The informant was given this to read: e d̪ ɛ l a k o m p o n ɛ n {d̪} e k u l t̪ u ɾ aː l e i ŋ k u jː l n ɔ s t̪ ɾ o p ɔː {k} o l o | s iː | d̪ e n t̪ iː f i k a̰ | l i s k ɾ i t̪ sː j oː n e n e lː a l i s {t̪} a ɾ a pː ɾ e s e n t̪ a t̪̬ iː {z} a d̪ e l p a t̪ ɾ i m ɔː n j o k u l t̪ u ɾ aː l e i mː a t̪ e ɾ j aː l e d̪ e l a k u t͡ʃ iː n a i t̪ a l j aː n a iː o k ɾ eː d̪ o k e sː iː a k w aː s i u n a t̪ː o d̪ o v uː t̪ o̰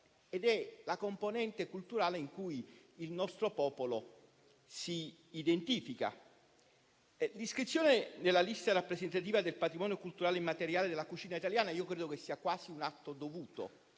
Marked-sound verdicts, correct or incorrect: incorrect, incorrect, correct, incorrect

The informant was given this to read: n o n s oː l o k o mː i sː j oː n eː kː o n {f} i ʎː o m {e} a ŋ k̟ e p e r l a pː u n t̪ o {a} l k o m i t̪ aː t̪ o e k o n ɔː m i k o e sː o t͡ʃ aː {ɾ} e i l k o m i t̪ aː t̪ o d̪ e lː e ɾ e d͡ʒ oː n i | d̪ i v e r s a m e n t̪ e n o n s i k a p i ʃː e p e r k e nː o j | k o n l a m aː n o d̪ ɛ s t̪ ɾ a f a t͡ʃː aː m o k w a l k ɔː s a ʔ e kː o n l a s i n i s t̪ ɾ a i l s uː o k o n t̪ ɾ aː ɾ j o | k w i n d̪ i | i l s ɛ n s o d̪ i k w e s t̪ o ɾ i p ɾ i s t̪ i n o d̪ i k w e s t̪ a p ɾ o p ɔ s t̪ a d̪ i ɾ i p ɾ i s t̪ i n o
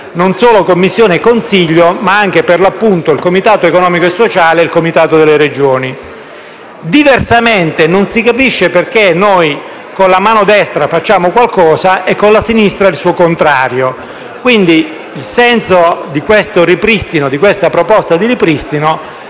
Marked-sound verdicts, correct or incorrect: incorrect, incorrect, incorrect, incorrect

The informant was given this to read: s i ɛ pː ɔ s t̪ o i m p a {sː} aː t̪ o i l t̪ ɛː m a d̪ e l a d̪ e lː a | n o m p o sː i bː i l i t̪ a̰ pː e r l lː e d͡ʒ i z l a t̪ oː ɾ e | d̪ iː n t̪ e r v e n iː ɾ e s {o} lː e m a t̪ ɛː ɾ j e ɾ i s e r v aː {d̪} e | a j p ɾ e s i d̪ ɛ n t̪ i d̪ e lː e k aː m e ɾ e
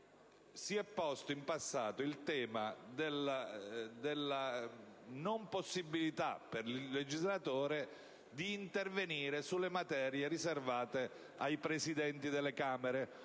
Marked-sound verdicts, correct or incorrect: correct, incorrect, incorrect

